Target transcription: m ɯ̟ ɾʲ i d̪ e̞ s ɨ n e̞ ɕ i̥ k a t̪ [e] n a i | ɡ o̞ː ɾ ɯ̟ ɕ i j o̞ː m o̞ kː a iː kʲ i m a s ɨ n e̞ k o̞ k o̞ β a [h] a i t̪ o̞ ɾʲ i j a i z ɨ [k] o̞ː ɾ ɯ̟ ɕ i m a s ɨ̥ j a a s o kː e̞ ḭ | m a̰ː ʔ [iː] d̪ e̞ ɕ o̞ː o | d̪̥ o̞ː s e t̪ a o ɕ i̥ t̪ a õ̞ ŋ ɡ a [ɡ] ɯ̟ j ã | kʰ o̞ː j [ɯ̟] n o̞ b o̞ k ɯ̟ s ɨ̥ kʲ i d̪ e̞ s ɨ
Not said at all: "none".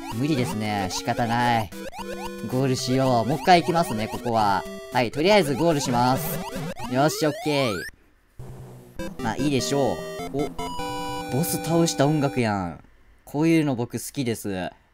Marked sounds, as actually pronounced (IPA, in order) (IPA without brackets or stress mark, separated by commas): a, h, ɡ, iː, k, ɯ̟ː